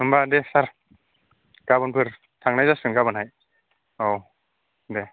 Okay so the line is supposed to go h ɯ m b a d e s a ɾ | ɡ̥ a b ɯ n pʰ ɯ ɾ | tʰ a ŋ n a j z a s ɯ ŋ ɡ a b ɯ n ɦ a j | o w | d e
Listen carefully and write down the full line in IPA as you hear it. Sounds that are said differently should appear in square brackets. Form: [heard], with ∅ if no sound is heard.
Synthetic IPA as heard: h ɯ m b a d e s a ɾ | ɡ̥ a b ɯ n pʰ ɯ ɾ | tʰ a ŋ n a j z a s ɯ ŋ ɡ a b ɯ n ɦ a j | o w | d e